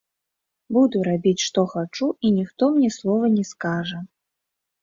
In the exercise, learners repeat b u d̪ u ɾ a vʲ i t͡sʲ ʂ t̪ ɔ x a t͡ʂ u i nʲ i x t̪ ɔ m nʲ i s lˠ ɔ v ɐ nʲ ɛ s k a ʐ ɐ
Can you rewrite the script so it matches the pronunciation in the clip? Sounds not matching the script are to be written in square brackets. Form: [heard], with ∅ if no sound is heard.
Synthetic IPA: b u d̪ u ɾ a [bʲ] i t͡sʲ ʂ t̪ ɔ x a t͡ʂ u i nʲ i x t̪ ɔ m nʲ [ɛ] s lˠ ɔ v ɐ nʲ ɛ s k a ʐ ɐ

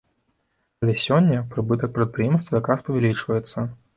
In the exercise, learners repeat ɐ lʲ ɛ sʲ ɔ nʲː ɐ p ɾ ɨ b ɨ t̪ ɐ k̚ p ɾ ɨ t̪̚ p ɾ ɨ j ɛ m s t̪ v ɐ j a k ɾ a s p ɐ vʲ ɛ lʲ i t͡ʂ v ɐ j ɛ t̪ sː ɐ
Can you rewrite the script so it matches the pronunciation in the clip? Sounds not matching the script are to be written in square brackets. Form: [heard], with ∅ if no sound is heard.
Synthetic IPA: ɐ lʲ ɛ sʲ ɔ nʲː ɐ p ɾ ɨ b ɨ t̪ ɐ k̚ p ɾ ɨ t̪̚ p ɾ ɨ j ɛ m s t̪ v ɐ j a k ɾ a s p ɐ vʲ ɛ lʲ i t͡ʂ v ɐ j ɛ t̪ sː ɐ

